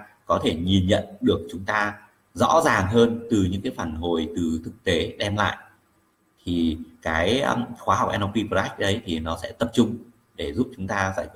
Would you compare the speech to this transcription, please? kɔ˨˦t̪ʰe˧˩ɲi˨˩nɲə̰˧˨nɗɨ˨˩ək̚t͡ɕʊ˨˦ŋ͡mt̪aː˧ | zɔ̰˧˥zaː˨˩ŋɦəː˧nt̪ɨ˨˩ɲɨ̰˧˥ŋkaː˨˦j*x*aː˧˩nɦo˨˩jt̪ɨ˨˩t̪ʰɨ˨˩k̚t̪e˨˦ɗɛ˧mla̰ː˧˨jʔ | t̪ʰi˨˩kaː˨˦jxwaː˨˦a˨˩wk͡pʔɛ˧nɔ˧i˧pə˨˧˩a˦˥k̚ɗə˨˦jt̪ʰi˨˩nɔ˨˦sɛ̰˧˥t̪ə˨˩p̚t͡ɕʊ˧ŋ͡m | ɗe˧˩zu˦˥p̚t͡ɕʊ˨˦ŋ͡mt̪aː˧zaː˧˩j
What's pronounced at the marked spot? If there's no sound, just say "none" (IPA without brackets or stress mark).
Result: f